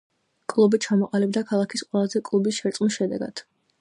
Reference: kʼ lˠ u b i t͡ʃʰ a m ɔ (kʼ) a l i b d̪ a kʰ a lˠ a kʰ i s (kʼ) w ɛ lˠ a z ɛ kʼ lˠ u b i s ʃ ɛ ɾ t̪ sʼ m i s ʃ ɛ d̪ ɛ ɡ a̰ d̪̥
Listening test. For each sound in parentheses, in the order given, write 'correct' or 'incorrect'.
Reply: incorrect, incorrect

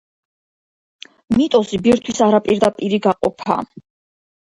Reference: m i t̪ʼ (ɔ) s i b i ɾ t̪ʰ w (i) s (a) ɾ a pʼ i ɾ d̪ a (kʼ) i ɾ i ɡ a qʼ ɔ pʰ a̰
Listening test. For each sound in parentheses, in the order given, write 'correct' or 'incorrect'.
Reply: correct, correct, correct, incorrect

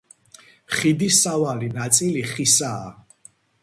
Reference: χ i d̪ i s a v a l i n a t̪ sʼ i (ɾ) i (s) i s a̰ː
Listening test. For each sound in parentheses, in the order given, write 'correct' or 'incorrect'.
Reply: incorrect, incorrect

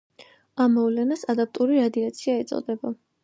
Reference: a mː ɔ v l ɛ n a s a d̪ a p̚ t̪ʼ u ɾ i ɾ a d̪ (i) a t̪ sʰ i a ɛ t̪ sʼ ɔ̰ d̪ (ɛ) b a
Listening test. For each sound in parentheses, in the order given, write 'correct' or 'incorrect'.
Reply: correct, correct

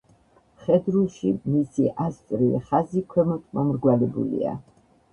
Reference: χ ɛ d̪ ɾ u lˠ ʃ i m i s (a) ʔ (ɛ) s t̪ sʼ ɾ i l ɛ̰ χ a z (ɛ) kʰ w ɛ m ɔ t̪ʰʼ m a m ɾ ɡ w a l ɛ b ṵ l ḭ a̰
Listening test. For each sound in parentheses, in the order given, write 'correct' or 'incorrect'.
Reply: incorrect, incorrect, incorrect

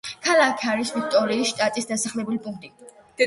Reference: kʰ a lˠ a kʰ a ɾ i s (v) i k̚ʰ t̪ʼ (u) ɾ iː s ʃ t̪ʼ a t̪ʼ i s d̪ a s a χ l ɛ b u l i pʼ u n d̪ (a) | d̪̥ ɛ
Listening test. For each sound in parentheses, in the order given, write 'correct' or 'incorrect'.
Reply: correct, incorrect, incorrect

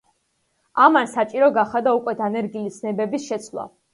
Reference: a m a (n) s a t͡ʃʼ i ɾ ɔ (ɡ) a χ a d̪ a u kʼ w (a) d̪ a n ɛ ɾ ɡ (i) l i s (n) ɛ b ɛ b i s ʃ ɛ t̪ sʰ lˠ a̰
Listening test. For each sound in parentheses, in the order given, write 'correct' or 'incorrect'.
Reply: correct, correct, incorrect, correct, correct

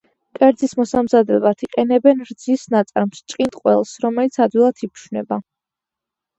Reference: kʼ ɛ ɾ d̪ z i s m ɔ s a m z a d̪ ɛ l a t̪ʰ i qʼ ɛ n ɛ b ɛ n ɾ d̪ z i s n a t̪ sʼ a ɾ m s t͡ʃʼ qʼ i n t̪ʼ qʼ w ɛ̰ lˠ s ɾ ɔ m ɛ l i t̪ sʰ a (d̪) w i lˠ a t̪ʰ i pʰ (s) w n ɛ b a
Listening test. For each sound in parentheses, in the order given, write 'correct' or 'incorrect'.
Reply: correct, incorrect

